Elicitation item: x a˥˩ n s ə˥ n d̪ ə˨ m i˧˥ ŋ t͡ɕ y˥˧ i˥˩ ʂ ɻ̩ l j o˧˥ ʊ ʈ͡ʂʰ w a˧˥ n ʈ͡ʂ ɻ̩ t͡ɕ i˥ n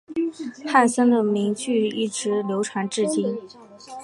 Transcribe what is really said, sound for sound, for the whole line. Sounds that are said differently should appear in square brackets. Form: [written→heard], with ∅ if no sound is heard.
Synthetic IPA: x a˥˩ n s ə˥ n d̪ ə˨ m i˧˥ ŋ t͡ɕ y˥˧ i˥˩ [ʂ→ʈ͡ʂ] ɻ̩ l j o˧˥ ʊ ʈ͡ʂʰ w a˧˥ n ʈ͡ʂ ɻ̩ t͡ɕ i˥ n